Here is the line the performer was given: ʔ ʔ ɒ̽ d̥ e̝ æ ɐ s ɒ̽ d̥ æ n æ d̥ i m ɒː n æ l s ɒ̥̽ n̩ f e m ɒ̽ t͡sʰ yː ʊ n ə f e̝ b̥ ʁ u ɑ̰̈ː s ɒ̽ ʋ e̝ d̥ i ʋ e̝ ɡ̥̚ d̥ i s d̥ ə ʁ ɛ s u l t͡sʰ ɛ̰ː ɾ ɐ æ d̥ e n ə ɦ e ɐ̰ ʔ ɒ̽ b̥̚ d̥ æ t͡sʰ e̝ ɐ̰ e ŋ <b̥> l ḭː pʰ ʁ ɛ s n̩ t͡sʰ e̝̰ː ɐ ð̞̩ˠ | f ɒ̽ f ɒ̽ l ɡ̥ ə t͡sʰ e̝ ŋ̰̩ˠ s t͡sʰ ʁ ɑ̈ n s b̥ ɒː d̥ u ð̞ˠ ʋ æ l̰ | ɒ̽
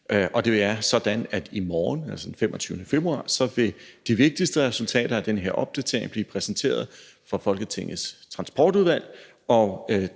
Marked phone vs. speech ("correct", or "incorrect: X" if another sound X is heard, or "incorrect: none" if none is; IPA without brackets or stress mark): correct